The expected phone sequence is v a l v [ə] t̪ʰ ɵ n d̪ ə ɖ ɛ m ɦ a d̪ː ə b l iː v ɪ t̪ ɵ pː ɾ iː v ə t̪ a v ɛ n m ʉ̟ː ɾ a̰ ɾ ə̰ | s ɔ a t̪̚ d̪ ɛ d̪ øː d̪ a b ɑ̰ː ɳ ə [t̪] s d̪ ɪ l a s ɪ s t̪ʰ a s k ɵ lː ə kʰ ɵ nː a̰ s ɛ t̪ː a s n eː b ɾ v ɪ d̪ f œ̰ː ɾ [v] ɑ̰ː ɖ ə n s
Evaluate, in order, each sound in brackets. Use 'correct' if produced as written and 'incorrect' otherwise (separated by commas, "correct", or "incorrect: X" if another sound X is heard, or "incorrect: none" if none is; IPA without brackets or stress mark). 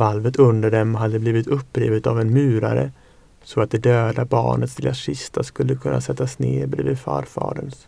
correct, correct, incorrect: f